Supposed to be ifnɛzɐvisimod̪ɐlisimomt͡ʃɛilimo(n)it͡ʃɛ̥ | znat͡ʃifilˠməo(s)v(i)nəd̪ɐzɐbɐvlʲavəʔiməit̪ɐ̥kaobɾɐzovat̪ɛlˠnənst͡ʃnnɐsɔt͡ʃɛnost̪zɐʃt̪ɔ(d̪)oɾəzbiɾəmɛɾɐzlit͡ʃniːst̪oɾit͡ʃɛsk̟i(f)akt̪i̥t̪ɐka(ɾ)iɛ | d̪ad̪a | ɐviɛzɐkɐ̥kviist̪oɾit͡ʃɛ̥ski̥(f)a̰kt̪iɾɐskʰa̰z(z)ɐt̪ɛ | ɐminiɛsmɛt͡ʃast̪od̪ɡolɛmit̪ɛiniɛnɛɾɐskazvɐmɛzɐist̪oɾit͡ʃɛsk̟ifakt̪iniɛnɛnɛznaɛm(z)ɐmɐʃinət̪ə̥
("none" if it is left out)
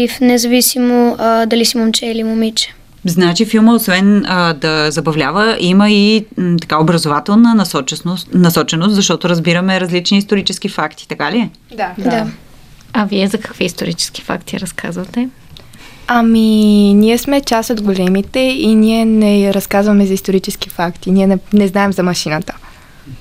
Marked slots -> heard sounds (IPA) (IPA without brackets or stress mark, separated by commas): m, s, ɛ, t̪, f, l, f, v, z